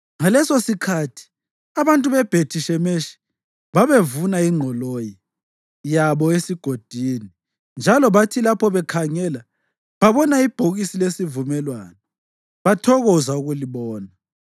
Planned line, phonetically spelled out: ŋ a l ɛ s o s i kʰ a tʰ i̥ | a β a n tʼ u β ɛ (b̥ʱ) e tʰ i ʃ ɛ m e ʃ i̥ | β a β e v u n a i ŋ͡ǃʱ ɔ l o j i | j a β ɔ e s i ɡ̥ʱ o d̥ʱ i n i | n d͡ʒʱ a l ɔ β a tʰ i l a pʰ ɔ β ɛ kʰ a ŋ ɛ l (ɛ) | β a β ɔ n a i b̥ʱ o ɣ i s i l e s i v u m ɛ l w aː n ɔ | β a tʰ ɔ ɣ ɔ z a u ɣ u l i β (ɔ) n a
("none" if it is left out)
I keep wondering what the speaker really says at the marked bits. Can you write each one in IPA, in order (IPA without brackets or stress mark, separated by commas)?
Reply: b̥ʱ, a, ɔː